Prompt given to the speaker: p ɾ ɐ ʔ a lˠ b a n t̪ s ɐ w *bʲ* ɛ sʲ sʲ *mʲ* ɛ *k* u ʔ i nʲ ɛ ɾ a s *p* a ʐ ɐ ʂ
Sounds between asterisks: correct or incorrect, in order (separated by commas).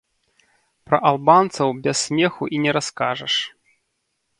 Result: correct, correct, incorrect, incorrect